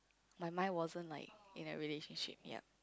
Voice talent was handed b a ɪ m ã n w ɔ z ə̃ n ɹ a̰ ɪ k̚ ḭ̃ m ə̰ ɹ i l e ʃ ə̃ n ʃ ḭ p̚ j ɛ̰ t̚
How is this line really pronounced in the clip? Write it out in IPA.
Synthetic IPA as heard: m a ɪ m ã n w ɔ z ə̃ n l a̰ ɪ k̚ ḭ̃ n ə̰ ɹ i l e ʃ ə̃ n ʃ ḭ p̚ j ɛ̰ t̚